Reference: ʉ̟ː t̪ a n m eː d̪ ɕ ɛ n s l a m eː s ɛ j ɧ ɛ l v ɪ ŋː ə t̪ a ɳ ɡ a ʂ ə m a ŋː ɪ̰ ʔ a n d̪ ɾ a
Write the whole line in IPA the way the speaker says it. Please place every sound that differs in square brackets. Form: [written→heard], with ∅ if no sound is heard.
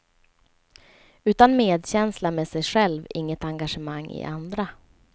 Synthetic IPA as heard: ʉ̟ː t̪ a n m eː d̪ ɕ ɛ n s l a m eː s ɛ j ɧ ɛ l v ɪ ŋː ə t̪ a [ɳ→ŋ] ɡ a ʂ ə m a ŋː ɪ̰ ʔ a n d̪ ɾ a